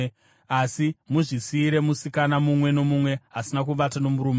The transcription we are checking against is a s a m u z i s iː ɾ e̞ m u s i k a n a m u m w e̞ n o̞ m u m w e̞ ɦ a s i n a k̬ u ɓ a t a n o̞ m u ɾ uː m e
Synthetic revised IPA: a s i m u ʐ i s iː ɾ e̞ m u s i k a n a m u m w e̞ n o̞ m u m w e̞ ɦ a s i n a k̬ u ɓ a t a n o̞ m u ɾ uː m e

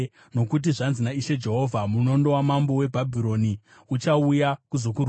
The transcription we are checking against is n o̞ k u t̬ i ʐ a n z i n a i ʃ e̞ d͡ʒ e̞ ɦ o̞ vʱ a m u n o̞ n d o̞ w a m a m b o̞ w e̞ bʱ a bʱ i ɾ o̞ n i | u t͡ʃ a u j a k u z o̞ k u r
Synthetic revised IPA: n o̞ k u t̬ i ʐ a n z i n a i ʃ e̞ d͡ʒ e̞ ɦ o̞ vʱ a m u n o̞ n d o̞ w a m a m b o̞ w e̞ bʱ a bʱ i ɾ o̞ n i | u t͡ʃ a u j a k u z o̞ k u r

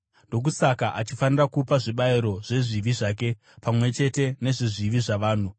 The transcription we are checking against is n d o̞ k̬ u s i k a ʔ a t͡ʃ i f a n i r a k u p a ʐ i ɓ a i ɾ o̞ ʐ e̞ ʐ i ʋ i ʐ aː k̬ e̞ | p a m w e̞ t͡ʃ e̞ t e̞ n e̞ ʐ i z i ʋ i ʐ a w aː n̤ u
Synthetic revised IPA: n d o̞ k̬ u s a k a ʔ a t͡ʃ i f a n i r a k u p a ʐ i ɓ a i ɾ o̞ ʐ e̞ ʐ i ʋ i ʐ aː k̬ e̞ | p a m w e̞ t͡ʃ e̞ t e̞ n e̞ ʐ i ʐ i ʋ i ʐ a ʋ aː n̤ u

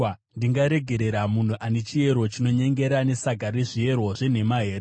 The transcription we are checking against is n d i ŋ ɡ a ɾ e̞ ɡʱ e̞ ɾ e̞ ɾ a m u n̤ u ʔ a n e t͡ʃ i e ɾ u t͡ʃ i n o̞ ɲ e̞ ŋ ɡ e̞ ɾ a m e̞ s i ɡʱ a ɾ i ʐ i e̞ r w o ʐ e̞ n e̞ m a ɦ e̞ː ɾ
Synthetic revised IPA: n d i ŋ ɡ a ɾ e̞ ɡʱ e̞ ɾ e̞ ɾ a m u n̤ u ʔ a n e t͡ʃ i e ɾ o t͡ʃ i n o̞ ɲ e̞ ŋ ɡ e̞ ɾ a n e̞ s a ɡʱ a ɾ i ʐ i e̞ r w o ʐ e̞ n e̞ m a ɦ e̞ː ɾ

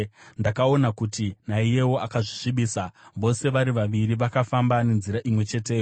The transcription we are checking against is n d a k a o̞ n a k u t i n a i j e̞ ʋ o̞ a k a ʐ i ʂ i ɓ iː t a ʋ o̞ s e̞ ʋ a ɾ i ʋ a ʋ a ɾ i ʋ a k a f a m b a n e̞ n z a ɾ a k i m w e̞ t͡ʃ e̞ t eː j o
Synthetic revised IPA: n d a k a o̞ n a k u t i n a i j e̞ w o̞ a k a ʐ i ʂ i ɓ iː s a ʋ o̞ s e̞ ʋ a ɾ i ʋ a ʋ i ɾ i ʋ a k a f a m b a n e̞ n z i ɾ a ʔ i m w e̞ t͡ʃ e̞ t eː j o

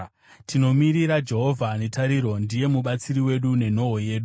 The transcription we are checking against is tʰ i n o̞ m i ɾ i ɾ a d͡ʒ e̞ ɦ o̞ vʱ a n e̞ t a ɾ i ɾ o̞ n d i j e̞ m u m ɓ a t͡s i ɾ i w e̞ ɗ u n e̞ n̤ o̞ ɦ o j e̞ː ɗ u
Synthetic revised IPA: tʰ i n o̞ m i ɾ i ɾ a d͡ʒ e̞ ɦ o̞ vʱ a n e̞ t a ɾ i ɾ o̞ n d i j e̞ m u ɓ a t͡s i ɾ i w e̞ ɗ u n e̞ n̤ o̞ ɦ o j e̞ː ɗ u

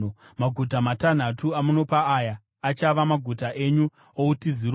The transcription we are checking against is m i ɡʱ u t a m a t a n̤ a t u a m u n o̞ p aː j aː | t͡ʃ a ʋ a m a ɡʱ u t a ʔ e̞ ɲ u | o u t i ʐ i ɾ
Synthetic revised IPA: m a ɡʱ u t a m a t a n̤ a t u a m u n o̞ p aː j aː | t͡ʃ a ʋ a m a ɡʱ u t a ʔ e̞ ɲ u | o u t i z i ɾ

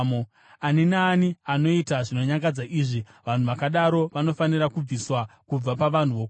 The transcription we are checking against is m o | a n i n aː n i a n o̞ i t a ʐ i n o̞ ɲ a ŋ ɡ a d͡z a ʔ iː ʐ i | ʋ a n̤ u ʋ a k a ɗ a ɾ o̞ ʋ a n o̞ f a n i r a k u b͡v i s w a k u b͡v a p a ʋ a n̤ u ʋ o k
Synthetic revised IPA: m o | a n i n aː n i a n o̞ i t a ʐ i n o̞ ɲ a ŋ ɡ a d͡z a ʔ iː ʐ i | ʋ a n̤ u ʋ a k a ɗ a ɾ o̞ ʋ a n o̞ f a n i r a k u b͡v i s w a k u b͡v a p a ʋ a n̤ u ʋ o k

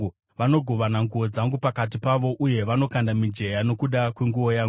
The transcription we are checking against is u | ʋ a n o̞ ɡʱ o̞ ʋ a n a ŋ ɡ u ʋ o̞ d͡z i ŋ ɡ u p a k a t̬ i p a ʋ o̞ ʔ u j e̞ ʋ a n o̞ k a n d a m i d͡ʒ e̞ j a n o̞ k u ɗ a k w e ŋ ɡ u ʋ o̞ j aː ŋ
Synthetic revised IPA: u | ʋ a n o̞ ɡʱ o̞ ʋ a n a ŋ ɡ u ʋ o̞ d͡z a ŋ ɡ u p a k a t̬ i p a ʋ o̞ ʔ u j e̞ ʋ a n o̞ k a n d a m i d͡ʒ e̞ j a n o̞ k u ɗ a k w e ŋ ɡ u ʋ o̞ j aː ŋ

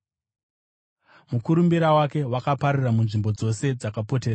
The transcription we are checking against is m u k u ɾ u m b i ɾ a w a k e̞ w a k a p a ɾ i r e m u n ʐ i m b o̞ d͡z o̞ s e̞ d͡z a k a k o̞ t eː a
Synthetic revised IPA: m u k u ɾ u m b i ɾ a w a k e̞ w a k a p a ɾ i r a m u n ʐ i m b o̞ d͡z o̞ s e̞ d͡z a k a p o̞ t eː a

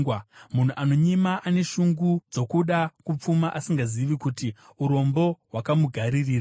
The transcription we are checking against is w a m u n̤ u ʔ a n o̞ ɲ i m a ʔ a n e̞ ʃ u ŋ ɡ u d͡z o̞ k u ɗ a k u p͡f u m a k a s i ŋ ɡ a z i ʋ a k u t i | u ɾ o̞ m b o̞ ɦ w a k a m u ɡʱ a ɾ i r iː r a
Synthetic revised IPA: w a m u n̤ u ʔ a n o̞ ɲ i m a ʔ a n e̞ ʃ u ŋ ɡ u d͡z o̞ k u ɗ a k u p͡f u m a ʔ a s i ŋ ɡ a z i ʋ i k u t i | u ɾ o̞ m b o̞ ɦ w a k a m u ɡʱ a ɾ i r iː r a

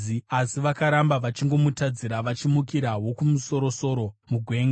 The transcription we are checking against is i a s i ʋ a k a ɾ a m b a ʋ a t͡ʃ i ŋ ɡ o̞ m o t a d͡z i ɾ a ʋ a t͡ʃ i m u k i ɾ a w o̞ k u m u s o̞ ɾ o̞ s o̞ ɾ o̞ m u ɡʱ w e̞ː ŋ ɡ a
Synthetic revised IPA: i a s i ʋ a k a ɾ a m b a ʋ a t͡ʃ i ŋ ɡ o̞ m u t a d͡z i ɾ a ʋ a t͡ʃ i m u k i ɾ a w o̞ k u m u s o̞ ɾ o̞ s o̞ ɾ o̞ m u ɡʱ w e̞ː ŋ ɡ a

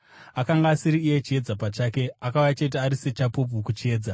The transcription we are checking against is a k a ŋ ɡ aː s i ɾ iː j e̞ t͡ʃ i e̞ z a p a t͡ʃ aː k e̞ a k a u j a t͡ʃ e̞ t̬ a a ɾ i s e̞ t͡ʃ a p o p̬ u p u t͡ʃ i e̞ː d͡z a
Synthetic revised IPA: a k a ŋ ɡ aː s i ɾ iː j e̞ t͡ʃ i e̞ d͡z a p a t͡ʃ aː k e̞ a k a u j a t͡ʃ e̞ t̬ i a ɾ i s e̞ t͡ʃ a p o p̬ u k u t͡ʃ i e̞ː d͡z a

